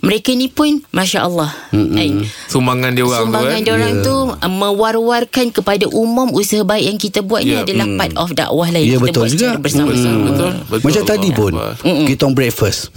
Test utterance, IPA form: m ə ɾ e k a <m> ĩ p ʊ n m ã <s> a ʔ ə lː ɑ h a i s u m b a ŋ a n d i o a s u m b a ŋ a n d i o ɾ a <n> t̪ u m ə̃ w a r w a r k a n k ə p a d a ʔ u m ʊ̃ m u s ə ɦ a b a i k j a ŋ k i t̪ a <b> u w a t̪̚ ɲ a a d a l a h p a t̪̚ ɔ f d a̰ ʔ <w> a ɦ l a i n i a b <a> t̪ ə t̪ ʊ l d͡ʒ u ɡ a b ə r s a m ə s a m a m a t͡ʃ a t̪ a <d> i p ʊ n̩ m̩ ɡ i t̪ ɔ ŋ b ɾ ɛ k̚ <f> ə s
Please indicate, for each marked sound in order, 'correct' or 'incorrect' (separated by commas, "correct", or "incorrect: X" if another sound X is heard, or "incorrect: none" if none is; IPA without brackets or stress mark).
incorrect: n, incorrect: ʃ, incorrect: ŋ, correct, correct, incorrect: ə, correct, correct